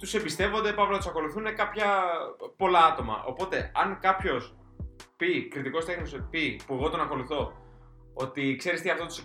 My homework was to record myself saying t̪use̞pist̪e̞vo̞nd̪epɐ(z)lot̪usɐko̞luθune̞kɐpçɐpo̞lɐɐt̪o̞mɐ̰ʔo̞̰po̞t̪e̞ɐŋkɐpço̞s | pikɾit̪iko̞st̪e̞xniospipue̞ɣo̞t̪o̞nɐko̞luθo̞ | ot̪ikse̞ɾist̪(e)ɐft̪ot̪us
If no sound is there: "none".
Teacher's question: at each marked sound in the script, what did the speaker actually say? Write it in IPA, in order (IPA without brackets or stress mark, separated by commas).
v, i